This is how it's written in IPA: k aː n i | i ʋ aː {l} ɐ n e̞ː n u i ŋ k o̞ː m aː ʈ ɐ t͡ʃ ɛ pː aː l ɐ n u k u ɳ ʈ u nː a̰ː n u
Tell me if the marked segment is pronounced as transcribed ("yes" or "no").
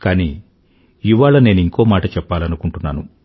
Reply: no